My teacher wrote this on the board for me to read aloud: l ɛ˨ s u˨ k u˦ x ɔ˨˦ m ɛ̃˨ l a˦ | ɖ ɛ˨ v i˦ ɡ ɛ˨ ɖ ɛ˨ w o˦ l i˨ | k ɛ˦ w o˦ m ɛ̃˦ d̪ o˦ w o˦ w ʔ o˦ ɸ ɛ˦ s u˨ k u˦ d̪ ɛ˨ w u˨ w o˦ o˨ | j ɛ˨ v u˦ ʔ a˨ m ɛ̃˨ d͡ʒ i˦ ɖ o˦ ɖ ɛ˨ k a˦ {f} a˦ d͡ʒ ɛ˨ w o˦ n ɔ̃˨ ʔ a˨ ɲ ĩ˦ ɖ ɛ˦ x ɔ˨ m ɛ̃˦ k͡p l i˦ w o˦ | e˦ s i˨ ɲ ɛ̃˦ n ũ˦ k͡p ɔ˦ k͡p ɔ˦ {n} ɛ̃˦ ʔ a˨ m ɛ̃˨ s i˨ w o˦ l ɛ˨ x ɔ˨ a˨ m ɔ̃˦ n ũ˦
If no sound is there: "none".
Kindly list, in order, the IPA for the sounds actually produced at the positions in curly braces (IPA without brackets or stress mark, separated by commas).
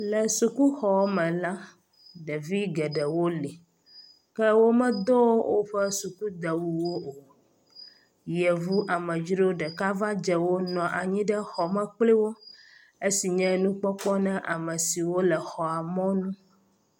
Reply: v, n